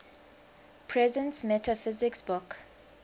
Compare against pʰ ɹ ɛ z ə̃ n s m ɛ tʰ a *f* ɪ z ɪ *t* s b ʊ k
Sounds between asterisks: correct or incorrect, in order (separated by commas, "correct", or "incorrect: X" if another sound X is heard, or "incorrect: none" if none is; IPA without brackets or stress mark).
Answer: correct, incorrect: k